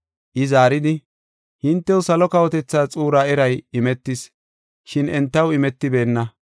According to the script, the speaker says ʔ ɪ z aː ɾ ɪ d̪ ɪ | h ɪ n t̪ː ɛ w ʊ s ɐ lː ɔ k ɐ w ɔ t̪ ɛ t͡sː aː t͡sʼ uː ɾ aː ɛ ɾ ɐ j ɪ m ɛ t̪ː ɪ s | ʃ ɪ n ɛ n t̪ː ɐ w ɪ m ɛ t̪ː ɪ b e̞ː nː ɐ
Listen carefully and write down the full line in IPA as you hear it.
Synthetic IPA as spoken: ʔ ɪ z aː ɾ ɪ d̪ ɪ | h ɪ n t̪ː ɛ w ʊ s ɐ l ɔ k ɐ w ɔ t̪ ɛ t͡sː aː t͡sʼ uː ɾ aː ɛ ɾ ɐ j ɪ m ɛ t̪ː ɪ s | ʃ ɪ n ɛ n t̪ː ɐ w ɪ m ɛ t̪ː ɪ b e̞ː nː ɐ